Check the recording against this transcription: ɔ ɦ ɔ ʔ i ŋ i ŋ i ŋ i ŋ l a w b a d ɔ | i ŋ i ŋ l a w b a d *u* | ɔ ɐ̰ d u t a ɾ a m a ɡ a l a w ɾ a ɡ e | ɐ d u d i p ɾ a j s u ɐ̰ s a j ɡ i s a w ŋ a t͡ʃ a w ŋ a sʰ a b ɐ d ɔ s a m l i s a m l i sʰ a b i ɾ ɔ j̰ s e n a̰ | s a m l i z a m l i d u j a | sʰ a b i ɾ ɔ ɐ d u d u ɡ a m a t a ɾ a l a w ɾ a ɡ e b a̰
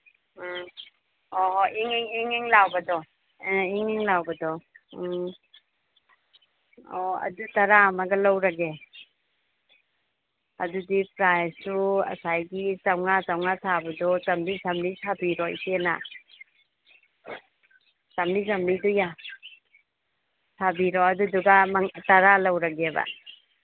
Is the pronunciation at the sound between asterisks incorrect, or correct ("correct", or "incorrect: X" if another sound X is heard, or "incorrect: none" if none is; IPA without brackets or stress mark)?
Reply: incorrect: ɔ